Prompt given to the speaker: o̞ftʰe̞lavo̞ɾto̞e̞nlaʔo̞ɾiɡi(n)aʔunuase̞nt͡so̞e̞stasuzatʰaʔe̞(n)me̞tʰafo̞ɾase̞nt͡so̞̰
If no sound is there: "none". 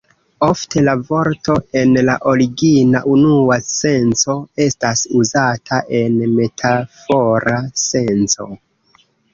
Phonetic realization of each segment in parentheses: n, n

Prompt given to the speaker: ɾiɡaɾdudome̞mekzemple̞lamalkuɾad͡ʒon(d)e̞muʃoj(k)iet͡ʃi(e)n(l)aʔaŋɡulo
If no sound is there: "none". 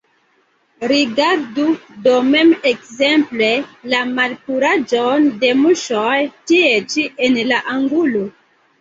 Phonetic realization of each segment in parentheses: d, t, e, l

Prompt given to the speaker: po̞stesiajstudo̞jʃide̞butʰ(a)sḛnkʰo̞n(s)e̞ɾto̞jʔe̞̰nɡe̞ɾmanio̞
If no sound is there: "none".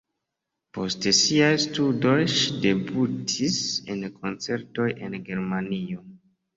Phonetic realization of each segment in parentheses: i, t͡s

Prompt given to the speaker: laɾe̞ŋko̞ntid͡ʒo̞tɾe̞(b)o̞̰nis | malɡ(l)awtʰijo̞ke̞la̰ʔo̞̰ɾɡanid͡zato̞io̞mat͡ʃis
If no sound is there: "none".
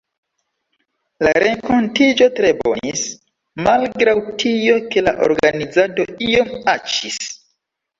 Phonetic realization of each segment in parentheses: b, ɾ

